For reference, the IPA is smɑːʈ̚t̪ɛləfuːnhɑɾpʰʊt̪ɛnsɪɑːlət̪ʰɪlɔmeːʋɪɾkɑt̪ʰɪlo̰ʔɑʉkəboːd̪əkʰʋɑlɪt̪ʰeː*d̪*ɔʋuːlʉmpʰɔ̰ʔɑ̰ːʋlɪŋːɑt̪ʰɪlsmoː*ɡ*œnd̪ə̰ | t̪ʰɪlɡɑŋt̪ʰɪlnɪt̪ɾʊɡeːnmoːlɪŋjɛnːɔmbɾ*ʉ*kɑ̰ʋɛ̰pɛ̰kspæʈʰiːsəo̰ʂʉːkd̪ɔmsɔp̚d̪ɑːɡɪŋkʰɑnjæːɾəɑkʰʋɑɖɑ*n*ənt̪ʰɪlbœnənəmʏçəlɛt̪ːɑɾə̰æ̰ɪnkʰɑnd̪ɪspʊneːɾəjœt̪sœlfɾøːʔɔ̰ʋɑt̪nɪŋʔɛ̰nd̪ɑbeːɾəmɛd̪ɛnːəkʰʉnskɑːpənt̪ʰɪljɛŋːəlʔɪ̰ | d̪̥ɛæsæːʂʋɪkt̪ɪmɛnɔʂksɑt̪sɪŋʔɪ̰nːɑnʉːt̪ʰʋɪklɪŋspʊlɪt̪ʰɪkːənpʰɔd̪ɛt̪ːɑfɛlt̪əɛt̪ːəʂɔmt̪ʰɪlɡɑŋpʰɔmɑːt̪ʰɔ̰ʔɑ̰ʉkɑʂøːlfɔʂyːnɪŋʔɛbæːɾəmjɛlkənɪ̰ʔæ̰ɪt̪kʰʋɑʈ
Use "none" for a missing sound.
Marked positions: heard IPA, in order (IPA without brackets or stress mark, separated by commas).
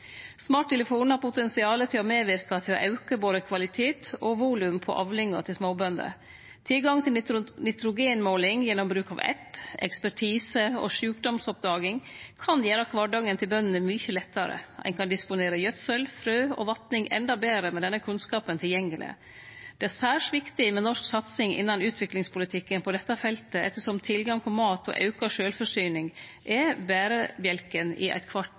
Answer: t̪, b, ʉː, ŋ